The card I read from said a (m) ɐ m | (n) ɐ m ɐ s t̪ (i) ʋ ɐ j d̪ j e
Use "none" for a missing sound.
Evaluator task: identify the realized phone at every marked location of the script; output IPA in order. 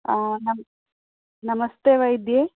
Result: n, n, e

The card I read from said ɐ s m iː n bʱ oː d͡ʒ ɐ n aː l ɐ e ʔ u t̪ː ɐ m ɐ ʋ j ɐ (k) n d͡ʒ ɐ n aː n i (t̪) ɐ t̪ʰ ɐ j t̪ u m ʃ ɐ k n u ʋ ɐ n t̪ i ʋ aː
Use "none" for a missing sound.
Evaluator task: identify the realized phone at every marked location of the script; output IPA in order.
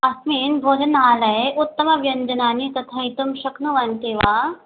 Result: none, t̪

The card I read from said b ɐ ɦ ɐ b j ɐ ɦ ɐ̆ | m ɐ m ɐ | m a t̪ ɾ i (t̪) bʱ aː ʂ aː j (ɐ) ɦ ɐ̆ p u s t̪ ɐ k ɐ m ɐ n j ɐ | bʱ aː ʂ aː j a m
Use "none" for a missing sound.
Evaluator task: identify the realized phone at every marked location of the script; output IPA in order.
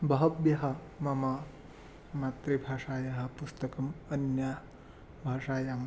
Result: none, ɐ

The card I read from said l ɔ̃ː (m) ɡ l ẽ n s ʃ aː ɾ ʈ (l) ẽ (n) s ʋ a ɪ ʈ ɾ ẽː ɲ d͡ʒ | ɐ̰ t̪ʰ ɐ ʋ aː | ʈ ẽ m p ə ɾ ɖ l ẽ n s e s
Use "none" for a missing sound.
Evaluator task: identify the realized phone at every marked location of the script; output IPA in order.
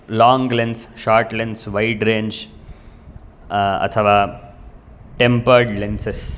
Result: ŋ, l, n

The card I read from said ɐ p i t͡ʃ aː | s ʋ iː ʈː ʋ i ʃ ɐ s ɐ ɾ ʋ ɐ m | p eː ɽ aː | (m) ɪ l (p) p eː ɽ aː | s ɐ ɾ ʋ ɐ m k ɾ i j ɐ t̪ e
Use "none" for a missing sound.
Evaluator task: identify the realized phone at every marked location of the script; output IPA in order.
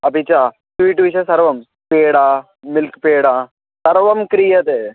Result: m, k

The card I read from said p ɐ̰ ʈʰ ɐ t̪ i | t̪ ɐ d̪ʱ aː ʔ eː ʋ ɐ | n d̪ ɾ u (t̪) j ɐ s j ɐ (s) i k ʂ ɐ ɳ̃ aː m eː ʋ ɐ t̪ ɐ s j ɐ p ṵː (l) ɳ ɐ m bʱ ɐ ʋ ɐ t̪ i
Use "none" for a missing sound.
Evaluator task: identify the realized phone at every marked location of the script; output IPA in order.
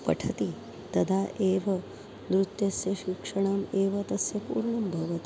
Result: t̪, ʃ, ɾ

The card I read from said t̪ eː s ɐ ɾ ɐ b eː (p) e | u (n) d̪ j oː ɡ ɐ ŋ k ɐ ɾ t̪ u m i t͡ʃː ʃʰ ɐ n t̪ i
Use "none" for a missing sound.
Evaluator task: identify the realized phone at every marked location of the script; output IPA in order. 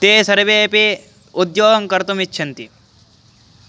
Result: p, none

